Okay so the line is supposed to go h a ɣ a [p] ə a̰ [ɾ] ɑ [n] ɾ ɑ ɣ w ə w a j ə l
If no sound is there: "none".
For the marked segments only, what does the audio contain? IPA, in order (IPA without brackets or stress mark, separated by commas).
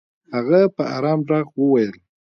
p, ɾ, m